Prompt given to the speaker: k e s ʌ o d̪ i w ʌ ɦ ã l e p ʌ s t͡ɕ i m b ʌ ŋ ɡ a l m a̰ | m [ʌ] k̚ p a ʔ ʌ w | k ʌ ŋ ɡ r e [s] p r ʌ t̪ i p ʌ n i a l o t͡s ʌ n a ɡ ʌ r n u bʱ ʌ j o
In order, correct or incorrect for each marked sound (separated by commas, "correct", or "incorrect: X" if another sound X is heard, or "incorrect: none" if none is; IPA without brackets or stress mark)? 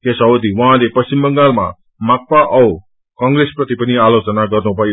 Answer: incorrect: a, correct